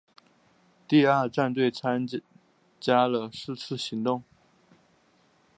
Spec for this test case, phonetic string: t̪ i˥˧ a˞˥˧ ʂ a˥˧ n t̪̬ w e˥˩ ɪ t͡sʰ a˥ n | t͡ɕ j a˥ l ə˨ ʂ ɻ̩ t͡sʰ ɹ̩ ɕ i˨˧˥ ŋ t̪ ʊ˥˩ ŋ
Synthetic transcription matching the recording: t̪ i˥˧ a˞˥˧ ʈ͡ʂ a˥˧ n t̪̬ w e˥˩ ɪ t͡sʰ a˥ n | t͡ɕ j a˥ l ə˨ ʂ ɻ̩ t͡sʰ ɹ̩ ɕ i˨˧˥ ŋ t̪ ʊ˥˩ ŋ